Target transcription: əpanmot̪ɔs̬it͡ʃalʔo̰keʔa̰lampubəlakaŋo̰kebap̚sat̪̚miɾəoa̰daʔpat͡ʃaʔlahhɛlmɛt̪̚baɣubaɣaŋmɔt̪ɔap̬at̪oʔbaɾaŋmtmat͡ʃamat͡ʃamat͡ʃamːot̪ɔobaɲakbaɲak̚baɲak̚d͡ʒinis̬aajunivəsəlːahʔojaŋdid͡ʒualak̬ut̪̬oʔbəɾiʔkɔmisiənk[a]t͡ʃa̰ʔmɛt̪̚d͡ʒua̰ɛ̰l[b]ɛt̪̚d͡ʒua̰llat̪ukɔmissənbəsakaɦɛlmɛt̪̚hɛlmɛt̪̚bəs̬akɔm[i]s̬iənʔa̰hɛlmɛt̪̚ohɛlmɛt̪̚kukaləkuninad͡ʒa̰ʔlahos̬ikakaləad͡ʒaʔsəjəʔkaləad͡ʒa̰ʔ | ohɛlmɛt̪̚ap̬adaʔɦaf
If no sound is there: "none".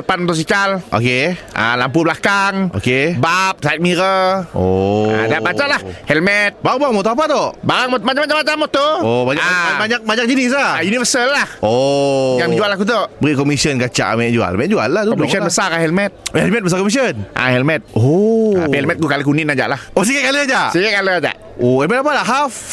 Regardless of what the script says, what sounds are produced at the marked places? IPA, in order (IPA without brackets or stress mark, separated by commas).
a, m, i